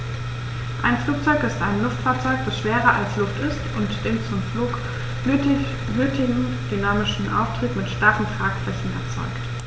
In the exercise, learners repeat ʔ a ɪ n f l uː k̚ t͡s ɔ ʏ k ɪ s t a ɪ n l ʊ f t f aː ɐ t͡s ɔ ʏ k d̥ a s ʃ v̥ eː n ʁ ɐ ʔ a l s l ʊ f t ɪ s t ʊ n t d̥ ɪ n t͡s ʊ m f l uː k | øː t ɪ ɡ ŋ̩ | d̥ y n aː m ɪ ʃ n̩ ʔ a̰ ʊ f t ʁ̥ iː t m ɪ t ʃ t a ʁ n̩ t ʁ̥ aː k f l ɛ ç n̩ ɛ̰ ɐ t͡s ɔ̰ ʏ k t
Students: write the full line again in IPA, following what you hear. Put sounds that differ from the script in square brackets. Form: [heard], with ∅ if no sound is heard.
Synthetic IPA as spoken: ʔ a ɪ n f l uː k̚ t͡s ɔ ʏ k ɪ s t a ɪ n l ʊ f t f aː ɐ t͡s ɔ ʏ k d̥ a s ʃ v̥ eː [∅] ʁ ɐ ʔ a l s l ʊ f t ɪ s t ʊ n t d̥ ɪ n t͡s ʊ m f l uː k | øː t ɪ ɡ ŋ̩ | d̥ y n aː m ɪ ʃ n̩ ʔ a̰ ʊ f t ʁ̥ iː t m ɪ t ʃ t a ʁ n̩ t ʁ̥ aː k f l ɛ ç n̩ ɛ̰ ɐ t͡s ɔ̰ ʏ k t

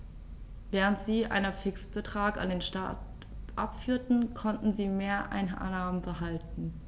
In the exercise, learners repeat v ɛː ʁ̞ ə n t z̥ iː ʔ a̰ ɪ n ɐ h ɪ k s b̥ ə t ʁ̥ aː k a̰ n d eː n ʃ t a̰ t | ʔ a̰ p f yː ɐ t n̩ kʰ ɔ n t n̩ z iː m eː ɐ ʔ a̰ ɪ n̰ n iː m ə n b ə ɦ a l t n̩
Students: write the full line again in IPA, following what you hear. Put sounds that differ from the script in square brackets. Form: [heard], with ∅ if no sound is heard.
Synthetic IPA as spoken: v ɛː ʁ̞ ə n t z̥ iː ʔ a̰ ɪ n ɐ [f] ɪ k s b̥ ə t ʁ̥ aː k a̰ n d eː n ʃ t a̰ t | ʔ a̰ p f yː ɐ t n̩ kʰ ɔ n t n̩ z iː m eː ɐ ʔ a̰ ɪ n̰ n [aː] m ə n b ə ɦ a l t n̩

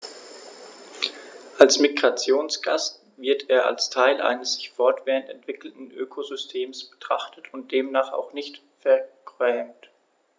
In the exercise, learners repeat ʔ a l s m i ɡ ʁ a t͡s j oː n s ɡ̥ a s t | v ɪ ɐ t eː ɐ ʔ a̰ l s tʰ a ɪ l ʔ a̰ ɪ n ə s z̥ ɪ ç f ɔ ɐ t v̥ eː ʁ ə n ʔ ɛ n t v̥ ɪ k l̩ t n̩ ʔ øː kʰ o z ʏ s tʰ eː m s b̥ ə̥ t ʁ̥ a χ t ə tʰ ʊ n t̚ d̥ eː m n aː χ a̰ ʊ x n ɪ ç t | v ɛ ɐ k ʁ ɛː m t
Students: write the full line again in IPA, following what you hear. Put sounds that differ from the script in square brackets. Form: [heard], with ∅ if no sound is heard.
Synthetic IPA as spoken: ʔ a l s m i ɡ ʁ a t͡s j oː n s ɡ̥ a s t | v ɪ ɐ t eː ɐ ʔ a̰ l s tʰ a ɪ l ʔ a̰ ɪ n ə s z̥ ɪ ç f ɔ ɐ t v̥ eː ʁ ə n [t] ɛ n t v̥ ɪ k l̩ t n̩ ʔ øː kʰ o z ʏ s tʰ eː m s b̥ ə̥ t ʁ̥ a χ t ə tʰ ʊ n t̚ d̥ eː m n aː χ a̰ ʊ x n ɪ ç t | [f] ɛ ɐ k ʁ ɛː m t

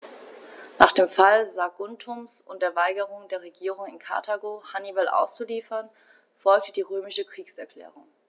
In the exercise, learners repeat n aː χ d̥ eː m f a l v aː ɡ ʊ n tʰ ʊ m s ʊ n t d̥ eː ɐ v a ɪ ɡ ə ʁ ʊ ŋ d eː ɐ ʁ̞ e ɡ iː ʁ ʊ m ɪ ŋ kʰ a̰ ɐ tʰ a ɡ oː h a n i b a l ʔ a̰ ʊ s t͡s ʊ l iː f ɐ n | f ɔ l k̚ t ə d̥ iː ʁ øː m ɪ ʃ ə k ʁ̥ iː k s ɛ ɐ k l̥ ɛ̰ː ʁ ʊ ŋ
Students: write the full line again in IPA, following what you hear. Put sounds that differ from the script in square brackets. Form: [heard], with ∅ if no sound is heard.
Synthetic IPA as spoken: n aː χ d̥ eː m f a l [z] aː ɡ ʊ n tʰ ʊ m s ʊ n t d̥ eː ɐ v a ɪ ɡ ə ʁ ʊ ŋ d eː ɐ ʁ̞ e ɡ iː ʁ ʊ [ŋ] ɪ [n] kʰ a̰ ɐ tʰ a ɡ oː h a n i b a l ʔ a̰ ʊ s t͡s [u] l iː f ɐ n | f ɔ l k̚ t ə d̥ iː ʁ øː m ɪ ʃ ə k ʁ̥ iː k s ɛ ɐ k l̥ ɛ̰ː ʁ ʊ ŋ

